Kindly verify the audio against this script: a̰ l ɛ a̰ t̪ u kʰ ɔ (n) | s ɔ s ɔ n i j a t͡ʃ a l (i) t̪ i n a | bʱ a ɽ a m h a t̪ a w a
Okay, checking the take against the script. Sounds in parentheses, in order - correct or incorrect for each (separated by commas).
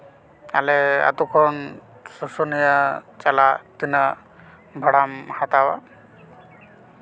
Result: correct, incorrect